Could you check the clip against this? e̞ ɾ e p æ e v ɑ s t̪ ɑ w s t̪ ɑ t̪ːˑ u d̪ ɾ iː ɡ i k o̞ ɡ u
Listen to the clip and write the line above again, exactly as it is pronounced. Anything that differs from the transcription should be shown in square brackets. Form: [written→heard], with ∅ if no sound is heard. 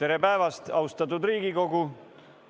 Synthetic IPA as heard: e̞ ɾ e p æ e v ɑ s t̪ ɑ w s t̪ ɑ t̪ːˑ u d̪ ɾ iː ɡ i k o̞ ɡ u

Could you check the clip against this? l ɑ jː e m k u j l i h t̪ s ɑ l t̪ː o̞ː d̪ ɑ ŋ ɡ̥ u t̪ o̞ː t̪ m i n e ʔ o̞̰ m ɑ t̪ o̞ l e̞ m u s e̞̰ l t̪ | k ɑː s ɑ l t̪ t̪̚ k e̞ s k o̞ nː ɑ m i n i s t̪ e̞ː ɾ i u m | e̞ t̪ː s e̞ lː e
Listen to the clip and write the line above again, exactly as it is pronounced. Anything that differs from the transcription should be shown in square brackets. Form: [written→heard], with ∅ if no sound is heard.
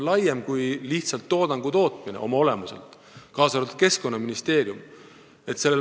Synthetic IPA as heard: l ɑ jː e m k u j l i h t̪ s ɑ l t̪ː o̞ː d̪ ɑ ŋ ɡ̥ u t̪ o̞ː t̪ m i n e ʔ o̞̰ m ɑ [t̪→∅] o̞ l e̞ m u s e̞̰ l t̪ | k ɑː s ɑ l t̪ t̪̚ k e̞ s k o̞ nː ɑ m i n i s t̪ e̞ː ɾ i u m | e̞ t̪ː s e̞ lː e

